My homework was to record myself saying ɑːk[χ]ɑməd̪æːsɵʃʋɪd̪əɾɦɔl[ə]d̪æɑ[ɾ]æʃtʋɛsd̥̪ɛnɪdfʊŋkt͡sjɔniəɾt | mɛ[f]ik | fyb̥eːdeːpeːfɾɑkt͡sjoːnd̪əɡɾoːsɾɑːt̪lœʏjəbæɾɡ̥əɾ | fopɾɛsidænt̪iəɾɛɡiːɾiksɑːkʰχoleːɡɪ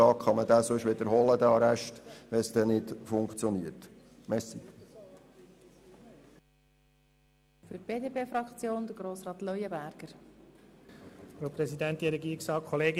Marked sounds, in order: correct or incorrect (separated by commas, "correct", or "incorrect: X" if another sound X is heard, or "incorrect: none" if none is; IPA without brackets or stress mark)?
correct, correct, correct, incorrect: s